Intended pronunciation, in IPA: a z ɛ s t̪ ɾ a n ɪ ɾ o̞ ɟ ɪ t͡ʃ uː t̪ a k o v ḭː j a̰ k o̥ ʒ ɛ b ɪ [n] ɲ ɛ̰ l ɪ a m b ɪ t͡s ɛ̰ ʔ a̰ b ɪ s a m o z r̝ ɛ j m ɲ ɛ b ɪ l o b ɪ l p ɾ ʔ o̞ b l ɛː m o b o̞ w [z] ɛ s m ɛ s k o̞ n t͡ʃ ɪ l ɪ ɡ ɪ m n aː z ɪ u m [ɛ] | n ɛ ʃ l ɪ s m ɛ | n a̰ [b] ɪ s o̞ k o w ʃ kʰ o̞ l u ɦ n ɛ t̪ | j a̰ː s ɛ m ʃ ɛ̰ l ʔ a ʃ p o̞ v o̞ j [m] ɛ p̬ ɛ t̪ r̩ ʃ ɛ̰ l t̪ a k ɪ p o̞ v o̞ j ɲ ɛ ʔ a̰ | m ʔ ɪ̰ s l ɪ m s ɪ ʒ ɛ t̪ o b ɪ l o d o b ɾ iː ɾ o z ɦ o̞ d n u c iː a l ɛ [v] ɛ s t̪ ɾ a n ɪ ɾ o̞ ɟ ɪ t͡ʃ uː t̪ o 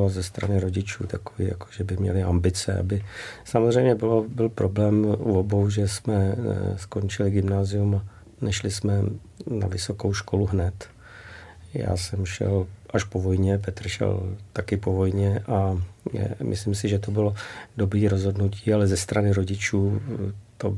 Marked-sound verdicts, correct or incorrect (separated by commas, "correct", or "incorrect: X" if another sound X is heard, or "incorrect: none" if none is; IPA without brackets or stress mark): incorrect: m, incorrect: ʒ, incorrect: a, incorrect: v, incorrect: ɲ, incorrect: z